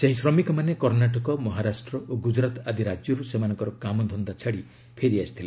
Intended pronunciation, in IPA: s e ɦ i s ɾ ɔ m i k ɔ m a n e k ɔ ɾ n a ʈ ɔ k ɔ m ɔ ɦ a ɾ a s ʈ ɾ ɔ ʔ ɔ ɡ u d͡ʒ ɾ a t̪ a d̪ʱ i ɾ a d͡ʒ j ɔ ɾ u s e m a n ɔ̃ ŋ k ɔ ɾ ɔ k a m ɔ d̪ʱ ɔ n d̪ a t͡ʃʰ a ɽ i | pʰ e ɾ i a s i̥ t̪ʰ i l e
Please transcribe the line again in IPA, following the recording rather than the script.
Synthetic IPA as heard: s e ɦ i s ɾ ɔ m i k ɔ m a n e k ɔ ɾ n a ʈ ɔ k ɔ m ɔ ɦ a ɾ a s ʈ ɾ ɔ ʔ o ɡ u d͡ʒ ɾ a t̪ a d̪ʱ i ɾ a d͡ʒ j ɔ ɾ u s e m a n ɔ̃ ŋ k ɔ ɾ ɔ k a m ɔ d̪ʱ ɔ n d̪ a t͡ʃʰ a ɽ i | pʰ e ɾ i a s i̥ t̪ʰ i l e